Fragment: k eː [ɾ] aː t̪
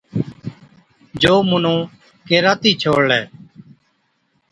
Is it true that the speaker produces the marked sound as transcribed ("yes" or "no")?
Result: yes